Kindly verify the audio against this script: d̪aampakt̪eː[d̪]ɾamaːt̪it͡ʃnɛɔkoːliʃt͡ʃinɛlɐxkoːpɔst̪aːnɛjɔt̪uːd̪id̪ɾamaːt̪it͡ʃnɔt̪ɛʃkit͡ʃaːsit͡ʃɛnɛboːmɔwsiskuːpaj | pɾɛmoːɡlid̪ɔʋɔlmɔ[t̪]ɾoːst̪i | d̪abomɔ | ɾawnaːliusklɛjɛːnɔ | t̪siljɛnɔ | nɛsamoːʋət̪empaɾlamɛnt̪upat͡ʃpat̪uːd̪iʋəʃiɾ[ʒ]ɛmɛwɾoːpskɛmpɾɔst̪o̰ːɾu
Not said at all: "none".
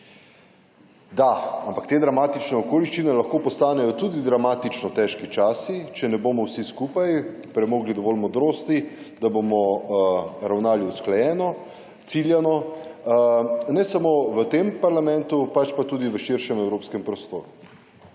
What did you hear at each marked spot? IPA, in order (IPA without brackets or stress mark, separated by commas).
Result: d̪, d̪, ʃ